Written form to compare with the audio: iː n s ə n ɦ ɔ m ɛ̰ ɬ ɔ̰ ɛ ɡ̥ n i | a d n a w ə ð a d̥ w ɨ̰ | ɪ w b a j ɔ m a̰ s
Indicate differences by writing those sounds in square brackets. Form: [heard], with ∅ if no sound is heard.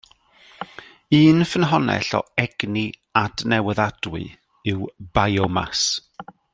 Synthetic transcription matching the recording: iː n [f] ə n ɦ ɔ [n] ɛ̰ ɬ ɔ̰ ɛ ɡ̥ n i | a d n [ɛ] w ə ð a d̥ w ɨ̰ | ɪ w b a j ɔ m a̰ s